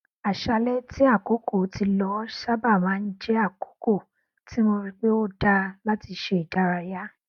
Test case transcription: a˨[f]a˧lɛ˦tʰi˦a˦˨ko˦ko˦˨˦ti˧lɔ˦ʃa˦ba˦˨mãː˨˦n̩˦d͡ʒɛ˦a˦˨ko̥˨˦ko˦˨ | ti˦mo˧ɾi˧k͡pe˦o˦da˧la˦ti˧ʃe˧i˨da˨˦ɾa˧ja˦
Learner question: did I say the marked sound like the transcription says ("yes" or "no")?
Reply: no